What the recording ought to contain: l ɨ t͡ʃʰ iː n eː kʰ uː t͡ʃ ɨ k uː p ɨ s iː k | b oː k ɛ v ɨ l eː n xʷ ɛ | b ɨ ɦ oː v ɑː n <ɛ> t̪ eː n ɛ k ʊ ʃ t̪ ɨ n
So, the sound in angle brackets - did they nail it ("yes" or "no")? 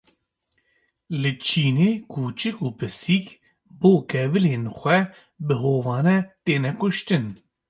yes